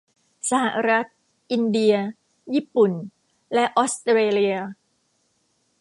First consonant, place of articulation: alveolar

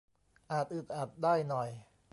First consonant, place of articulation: glottal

